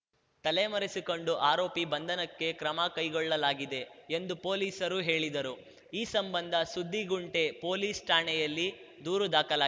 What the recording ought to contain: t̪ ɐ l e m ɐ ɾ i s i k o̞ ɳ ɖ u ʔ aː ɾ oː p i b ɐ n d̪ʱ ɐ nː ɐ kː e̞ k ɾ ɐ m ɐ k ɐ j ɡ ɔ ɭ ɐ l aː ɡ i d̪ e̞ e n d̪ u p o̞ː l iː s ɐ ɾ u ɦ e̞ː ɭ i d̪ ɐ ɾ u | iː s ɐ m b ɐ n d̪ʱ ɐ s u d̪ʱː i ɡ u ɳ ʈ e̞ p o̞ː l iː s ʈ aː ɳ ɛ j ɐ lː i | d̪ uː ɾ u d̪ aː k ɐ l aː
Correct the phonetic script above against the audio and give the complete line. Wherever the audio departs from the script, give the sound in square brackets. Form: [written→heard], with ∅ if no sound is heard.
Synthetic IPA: t̪ ɐ l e m ɐ ɾ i s i k o̞ ɳ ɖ u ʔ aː ɾ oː p i b ɐ n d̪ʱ ɐ [nː→n] ɐ kː e̞ k ɾ ɐ m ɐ k ɐ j ɡ ɔ [ɭ→ɭː] ɐ l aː ɡ i d̪ e̞ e n d̪ u p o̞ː l iː s ɐ ɾ u ɦ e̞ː ɭ i d̪ ɐ ɾ u | iː s ɐ m b ɐ n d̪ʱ ɐ s u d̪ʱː i ɡ u ɳ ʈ e̞ p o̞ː l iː s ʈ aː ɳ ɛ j ɐ lː i | d̪ uː ɾ u d̪ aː k ɐ l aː

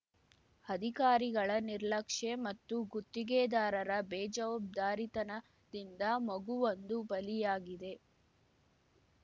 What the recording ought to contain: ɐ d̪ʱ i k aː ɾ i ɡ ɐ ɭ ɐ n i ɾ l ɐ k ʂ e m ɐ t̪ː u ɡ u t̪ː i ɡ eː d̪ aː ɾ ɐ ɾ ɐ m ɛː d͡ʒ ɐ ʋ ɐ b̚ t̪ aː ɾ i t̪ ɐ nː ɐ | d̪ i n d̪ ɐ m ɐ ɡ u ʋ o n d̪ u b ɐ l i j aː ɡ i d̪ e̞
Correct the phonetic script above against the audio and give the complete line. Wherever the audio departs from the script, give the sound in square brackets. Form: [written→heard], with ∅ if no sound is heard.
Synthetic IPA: ɐ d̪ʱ i k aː ɾ i ɡ ɐ ɭ ɐ n i ɾ l ɐ k ʂ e m ɐ t̪ː u ɡ u t̪ː i ɡ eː d̪ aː ɾ ɐ ɾ ɐ [m→b] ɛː d͡ʒ ɐ ʋ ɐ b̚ [t̪→d̪] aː ɾ i t̪ ɐ [nː→n] ɐ | d̪ i n d̪ ɐ m ɐ ɡ u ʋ o n d̪ u b ɐ l i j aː ɡ i d̪ e̞

